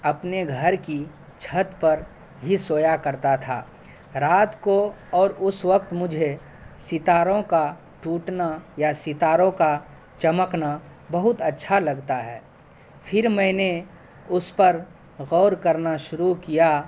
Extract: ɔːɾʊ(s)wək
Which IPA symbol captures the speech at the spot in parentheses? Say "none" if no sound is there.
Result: s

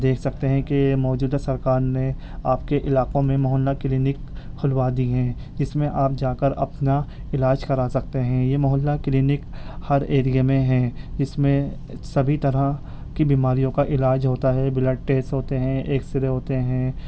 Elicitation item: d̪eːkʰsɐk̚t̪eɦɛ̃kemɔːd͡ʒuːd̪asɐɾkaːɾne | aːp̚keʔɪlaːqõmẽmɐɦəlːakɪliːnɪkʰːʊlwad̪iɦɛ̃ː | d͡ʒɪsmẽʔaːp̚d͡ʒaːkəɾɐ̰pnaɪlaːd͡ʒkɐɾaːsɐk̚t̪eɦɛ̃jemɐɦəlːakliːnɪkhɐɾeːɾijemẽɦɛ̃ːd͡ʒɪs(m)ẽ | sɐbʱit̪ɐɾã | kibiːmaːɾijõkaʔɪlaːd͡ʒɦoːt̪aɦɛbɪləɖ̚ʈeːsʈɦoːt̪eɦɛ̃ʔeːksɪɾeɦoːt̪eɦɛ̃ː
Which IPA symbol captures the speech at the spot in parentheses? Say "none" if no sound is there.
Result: m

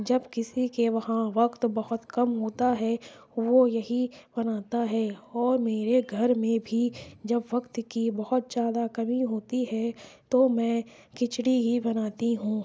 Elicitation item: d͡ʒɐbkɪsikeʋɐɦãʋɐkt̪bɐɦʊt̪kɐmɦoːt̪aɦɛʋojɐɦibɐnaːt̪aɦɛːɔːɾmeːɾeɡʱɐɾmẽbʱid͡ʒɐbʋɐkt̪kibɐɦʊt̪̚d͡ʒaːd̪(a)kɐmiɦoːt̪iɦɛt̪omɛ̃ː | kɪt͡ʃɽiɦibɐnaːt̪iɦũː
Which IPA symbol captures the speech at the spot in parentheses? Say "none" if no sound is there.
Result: a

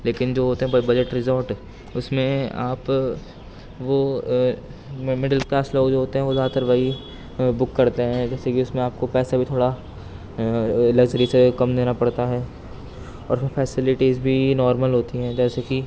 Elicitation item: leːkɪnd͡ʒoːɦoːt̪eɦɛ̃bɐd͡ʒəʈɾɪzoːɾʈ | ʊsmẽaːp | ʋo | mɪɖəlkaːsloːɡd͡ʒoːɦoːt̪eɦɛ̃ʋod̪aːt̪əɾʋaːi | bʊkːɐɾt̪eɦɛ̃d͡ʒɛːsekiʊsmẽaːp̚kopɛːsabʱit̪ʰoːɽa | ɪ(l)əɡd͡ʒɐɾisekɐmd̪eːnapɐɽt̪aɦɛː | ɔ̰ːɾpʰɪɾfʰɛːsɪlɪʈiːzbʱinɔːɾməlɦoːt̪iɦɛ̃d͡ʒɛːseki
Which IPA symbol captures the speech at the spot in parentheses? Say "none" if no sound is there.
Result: l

